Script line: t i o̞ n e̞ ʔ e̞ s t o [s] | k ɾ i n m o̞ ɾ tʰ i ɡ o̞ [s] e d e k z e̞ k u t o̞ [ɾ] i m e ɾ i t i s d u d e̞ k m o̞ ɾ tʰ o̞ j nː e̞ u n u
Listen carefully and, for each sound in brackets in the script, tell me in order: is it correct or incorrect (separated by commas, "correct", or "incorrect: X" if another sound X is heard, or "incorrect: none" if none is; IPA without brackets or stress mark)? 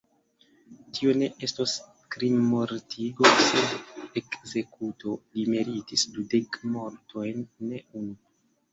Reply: correct, correct, incorrect: l